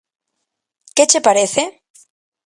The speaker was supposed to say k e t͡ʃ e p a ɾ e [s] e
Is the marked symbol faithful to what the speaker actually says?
no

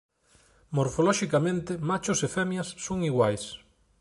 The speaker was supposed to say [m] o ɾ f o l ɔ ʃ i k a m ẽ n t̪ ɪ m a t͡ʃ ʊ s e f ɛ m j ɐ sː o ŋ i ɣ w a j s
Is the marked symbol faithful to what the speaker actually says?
yes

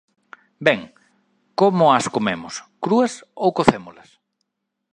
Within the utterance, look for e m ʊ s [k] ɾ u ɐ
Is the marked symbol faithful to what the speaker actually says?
yes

